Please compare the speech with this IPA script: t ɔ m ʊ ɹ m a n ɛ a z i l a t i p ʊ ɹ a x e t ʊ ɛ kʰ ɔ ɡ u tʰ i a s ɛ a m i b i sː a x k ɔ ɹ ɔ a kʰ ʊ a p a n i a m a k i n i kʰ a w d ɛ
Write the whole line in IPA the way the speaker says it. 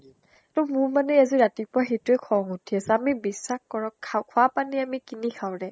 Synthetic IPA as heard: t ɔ m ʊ ɹ m a n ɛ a z i ɹ a t i p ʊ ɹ a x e t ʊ ɛ kʰ ɔ ŋ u tʰ i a s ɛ a m i b i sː a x k ɔ ɹ ɔ a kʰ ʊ a p a n i a m i k i n i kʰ a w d ɛ